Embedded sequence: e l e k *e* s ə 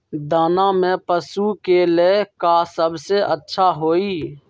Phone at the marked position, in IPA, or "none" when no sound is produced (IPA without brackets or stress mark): a